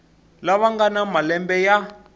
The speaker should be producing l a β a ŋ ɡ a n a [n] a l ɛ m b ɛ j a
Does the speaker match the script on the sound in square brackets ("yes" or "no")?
no